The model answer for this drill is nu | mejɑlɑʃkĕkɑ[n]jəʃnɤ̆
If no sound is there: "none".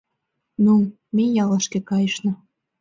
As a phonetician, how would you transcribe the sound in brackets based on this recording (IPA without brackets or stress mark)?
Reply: none